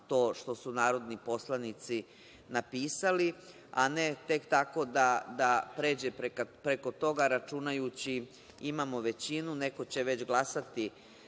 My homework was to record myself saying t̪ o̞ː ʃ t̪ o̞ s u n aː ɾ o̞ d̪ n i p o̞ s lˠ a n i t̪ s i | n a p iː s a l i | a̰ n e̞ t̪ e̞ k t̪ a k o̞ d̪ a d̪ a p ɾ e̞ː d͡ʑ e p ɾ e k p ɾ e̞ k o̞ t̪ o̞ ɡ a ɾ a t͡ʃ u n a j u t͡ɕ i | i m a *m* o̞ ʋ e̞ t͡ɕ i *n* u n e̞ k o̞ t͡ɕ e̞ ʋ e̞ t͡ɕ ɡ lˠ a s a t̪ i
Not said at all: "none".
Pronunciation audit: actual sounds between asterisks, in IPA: m, n

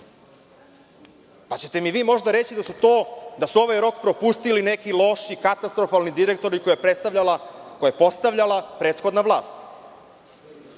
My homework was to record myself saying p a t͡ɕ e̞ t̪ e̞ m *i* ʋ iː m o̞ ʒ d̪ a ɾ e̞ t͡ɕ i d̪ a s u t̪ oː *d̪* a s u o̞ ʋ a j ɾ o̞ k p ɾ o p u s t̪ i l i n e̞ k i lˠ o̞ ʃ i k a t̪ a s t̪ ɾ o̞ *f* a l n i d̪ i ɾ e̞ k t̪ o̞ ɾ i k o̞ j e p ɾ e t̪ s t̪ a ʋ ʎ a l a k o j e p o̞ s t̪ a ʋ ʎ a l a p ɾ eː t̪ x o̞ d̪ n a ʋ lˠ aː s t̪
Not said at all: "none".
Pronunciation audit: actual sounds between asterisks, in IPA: i, d̪, f

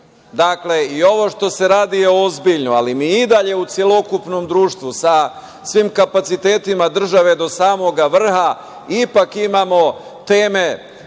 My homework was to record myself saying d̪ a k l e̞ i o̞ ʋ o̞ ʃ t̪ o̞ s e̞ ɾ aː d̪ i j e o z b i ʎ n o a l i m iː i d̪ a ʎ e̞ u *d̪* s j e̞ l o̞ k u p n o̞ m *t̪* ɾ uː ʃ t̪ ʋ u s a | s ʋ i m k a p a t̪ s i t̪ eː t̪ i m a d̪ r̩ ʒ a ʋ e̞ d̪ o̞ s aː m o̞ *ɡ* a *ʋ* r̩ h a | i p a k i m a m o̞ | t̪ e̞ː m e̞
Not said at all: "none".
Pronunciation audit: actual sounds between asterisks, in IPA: t̪, d̪, ɡ, ʋ

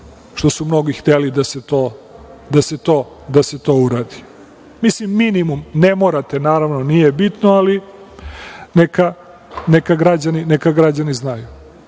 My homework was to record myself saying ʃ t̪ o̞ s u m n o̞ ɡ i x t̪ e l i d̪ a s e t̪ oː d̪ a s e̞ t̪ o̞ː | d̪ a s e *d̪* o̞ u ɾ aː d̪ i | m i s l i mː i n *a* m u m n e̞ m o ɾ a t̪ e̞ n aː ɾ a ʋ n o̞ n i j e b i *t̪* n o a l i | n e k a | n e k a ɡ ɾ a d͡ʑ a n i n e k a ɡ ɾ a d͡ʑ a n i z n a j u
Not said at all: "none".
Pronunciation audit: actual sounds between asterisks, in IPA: t̪, i, t̪

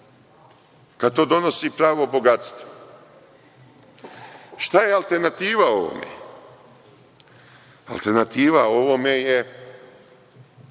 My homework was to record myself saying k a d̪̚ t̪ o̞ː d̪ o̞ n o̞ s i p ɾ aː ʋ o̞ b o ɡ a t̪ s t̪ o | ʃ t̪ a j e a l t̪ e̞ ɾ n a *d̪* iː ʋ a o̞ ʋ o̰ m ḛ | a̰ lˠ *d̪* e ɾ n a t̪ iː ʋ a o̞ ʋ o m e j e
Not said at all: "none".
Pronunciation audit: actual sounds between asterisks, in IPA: t̪, t̪

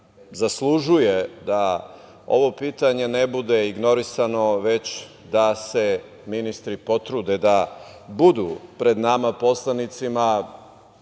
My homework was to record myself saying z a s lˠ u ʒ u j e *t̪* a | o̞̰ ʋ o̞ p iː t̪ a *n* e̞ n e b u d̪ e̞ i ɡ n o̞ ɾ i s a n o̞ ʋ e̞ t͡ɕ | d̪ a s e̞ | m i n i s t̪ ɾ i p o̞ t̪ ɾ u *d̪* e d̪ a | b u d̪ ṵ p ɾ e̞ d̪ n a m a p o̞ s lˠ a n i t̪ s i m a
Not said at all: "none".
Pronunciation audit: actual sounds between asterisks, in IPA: d̪, ɲ, d̪

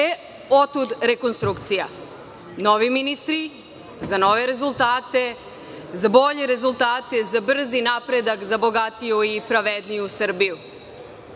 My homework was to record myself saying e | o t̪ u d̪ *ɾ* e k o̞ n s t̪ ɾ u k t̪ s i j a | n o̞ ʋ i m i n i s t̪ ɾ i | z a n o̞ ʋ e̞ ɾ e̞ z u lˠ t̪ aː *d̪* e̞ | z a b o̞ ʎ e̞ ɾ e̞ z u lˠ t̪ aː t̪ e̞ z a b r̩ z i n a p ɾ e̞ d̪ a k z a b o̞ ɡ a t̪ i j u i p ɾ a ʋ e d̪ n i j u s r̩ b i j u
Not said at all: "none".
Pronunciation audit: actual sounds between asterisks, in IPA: ɾ, t̪

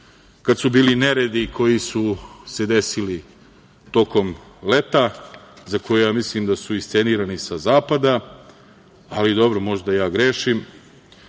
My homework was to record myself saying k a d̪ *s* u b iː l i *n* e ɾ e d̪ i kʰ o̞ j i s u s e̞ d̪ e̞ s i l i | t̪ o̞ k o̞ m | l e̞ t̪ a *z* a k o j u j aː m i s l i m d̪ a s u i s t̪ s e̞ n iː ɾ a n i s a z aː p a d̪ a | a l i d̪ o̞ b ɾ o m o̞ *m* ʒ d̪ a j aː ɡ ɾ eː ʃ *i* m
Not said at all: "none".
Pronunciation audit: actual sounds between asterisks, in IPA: s, n, z, none, i

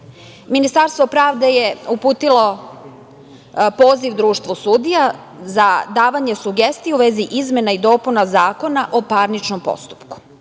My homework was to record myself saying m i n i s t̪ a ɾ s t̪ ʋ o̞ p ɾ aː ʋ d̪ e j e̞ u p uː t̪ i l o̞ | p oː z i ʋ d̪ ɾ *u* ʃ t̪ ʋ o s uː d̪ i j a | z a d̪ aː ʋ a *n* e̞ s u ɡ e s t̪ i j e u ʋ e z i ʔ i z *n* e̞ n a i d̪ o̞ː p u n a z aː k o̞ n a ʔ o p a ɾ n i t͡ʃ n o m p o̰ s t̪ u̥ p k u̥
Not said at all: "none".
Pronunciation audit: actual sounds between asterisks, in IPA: uː, ɲ, m

